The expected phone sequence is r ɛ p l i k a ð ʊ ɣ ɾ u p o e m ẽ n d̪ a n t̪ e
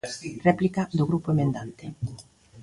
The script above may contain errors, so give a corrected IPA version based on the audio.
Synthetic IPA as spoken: r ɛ p l i k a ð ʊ ɣ ɾ u p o e m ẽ n d̪ a n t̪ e